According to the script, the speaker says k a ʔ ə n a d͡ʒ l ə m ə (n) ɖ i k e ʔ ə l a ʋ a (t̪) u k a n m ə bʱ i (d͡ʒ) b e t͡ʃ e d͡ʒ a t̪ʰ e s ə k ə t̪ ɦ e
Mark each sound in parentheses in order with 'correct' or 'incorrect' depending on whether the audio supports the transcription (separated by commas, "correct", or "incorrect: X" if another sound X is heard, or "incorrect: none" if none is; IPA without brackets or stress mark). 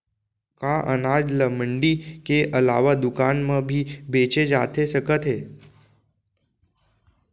incorrect: ɳ, incorrect: d̪, incorrect: none